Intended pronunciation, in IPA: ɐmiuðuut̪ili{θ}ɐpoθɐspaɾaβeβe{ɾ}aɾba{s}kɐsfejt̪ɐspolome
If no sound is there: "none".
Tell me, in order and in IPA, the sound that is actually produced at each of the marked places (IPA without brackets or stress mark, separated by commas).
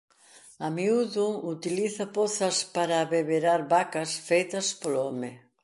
θ, ɾ, none